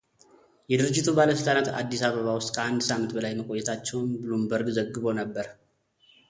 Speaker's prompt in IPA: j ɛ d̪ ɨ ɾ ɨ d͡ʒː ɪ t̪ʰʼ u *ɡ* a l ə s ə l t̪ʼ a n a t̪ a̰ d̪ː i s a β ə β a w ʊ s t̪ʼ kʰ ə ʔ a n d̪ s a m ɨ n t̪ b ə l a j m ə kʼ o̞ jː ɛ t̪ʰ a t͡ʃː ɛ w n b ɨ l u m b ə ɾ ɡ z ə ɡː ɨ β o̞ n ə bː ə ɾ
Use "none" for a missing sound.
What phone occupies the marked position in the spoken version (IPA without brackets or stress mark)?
b